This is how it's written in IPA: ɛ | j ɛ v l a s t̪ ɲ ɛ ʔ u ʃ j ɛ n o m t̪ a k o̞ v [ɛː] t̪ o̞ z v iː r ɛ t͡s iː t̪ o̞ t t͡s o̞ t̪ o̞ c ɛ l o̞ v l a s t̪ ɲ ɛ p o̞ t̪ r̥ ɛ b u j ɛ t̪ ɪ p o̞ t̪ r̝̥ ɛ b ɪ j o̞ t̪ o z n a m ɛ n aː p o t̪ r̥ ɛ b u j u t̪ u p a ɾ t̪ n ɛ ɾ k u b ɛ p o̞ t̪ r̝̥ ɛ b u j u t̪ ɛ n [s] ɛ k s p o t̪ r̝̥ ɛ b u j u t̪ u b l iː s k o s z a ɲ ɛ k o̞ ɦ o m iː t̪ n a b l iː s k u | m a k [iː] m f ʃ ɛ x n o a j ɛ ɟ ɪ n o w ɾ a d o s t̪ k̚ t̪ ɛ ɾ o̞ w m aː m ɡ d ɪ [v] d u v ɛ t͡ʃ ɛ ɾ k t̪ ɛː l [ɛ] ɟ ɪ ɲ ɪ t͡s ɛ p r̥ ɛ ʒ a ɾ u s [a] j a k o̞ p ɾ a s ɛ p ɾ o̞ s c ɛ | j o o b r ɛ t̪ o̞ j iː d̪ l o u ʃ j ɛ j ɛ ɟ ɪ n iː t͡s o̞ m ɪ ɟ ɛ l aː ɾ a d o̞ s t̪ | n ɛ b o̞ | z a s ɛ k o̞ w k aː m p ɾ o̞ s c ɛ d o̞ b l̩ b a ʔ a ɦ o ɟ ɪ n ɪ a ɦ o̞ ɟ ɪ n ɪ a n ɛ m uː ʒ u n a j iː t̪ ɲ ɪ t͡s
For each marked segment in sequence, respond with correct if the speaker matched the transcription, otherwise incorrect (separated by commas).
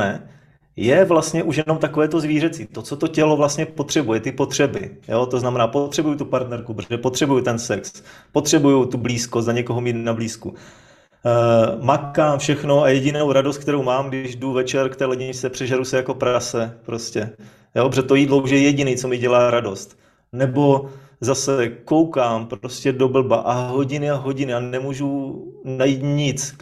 correct, correct, incorrect, incorrect, correct, incorrect